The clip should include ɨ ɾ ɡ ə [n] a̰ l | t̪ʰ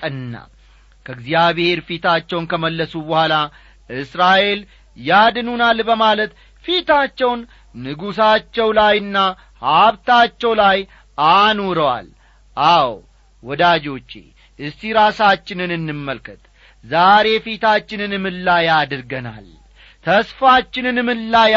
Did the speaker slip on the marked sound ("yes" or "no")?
no